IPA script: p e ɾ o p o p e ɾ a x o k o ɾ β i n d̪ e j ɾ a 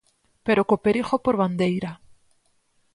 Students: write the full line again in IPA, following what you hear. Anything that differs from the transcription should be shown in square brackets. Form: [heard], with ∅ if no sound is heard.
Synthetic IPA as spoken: p e ɾ o [k] o p e ɾ [i] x o [p] o ɾ β [a] n d̪ e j ɾ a